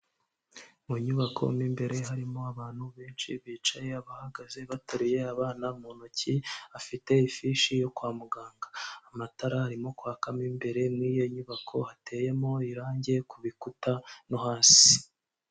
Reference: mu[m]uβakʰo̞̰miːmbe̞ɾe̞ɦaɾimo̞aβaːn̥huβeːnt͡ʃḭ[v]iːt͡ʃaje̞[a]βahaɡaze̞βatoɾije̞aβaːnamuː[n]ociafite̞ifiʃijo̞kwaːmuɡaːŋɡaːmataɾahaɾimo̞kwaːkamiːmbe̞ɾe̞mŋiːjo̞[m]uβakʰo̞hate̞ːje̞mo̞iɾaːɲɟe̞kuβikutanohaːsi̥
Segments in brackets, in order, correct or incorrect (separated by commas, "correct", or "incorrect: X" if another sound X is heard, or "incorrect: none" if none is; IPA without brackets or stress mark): incorrect: ɲ, incorrect: β, correct, correct, incorrect: ɲ